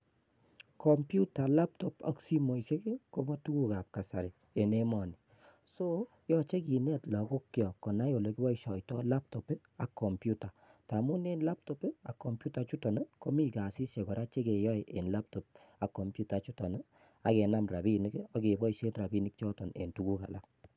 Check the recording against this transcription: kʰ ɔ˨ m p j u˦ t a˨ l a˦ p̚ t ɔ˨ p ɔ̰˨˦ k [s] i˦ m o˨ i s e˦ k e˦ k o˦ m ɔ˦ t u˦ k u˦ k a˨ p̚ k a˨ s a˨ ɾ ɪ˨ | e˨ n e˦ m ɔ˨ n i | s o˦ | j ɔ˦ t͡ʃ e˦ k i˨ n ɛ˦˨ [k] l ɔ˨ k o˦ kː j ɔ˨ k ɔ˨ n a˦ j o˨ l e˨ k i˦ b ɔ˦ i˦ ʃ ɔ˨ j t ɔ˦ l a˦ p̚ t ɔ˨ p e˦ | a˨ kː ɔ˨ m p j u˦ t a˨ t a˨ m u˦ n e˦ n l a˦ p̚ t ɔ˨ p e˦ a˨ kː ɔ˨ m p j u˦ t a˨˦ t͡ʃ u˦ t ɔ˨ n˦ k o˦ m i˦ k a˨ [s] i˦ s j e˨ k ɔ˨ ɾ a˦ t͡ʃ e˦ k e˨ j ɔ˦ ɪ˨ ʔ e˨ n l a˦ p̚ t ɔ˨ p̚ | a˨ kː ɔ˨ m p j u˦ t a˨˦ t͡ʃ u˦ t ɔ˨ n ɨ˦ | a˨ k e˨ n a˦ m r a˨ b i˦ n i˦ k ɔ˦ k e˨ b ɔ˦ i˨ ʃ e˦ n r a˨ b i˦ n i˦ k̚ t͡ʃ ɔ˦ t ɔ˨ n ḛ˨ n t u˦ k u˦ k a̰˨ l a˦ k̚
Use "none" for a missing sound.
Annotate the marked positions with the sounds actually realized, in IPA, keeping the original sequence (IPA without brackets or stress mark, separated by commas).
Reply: s, t, s